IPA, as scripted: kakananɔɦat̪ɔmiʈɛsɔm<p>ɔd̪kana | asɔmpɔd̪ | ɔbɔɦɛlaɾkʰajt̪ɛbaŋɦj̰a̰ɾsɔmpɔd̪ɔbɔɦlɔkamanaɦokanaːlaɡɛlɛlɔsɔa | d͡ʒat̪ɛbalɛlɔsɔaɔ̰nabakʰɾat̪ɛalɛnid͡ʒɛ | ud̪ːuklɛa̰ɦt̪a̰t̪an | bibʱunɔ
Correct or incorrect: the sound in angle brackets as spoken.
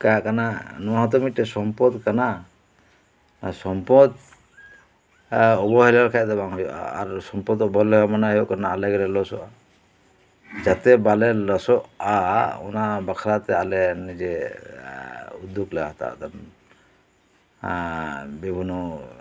correct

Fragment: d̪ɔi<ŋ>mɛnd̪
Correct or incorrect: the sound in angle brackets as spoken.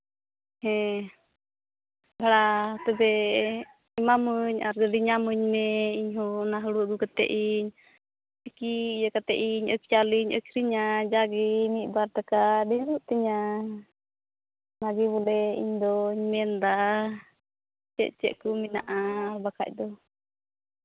incorrect: ɲ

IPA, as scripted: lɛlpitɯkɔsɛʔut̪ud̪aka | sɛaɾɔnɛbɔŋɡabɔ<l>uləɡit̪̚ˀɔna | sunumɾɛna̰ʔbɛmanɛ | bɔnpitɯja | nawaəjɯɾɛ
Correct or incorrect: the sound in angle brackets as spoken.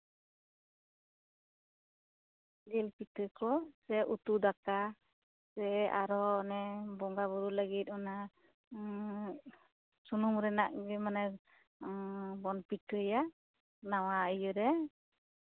incorrect: ɾ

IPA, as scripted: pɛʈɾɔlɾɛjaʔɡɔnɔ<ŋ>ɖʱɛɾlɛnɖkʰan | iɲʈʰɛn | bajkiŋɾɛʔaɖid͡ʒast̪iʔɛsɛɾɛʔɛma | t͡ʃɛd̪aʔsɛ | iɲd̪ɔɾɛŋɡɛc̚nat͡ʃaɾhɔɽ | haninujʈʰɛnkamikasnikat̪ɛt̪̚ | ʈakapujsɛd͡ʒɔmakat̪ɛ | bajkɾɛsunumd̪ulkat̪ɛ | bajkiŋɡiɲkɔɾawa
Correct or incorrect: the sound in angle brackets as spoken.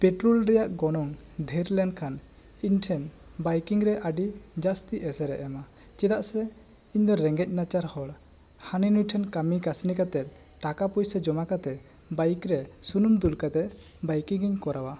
correct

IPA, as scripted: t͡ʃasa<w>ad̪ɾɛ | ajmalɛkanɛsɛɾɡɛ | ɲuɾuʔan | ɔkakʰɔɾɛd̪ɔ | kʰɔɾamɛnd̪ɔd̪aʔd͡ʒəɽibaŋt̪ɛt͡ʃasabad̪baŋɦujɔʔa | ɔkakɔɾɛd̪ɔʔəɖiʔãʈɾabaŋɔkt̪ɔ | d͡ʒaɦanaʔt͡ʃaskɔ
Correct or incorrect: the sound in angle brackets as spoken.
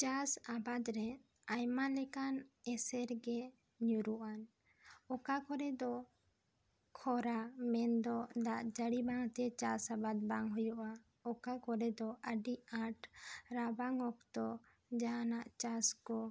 incorrect: b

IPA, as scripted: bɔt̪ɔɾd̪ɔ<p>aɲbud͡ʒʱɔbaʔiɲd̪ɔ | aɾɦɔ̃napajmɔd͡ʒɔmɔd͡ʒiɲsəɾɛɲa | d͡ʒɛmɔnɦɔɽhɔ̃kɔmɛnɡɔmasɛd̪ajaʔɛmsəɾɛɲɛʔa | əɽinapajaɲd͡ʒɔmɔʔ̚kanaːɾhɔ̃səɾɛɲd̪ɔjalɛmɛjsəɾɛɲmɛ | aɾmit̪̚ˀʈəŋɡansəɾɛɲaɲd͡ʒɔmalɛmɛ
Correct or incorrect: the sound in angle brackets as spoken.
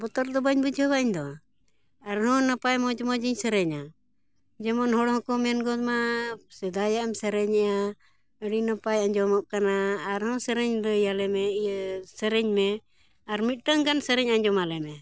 incorrect: b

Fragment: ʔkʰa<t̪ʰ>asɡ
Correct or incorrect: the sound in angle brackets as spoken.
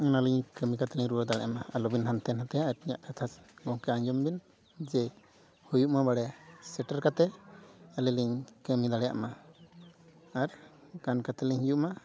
correct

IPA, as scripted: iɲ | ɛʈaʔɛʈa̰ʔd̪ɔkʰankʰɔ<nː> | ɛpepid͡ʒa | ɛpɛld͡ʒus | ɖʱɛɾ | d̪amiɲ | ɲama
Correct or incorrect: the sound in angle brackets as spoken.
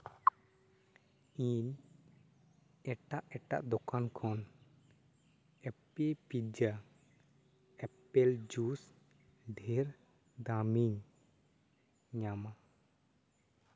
incorrect: n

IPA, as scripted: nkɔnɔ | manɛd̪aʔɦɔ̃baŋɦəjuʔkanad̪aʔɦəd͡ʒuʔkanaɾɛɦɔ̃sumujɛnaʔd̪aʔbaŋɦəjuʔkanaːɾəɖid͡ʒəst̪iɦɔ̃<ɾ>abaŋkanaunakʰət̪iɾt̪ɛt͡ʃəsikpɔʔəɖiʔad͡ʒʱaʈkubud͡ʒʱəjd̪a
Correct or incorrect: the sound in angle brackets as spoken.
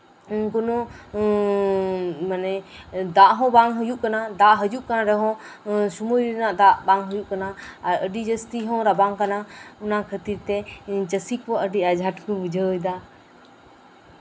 correct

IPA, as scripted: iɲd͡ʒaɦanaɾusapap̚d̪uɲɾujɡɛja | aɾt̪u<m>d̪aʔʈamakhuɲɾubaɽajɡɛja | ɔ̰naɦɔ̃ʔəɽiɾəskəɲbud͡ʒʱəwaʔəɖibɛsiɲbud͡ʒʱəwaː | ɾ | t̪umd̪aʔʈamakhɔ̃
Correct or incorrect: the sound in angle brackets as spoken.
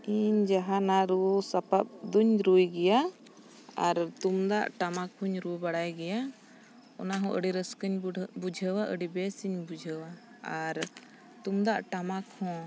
correct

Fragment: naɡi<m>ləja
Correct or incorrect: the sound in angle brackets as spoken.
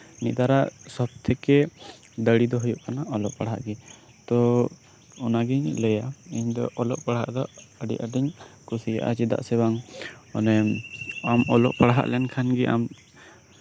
incorrect: ɲ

